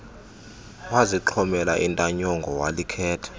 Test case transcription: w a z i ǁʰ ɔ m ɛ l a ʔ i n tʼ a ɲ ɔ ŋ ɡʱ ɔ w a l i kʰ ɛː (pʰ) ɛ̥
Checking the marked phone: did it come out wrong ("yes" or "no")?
yes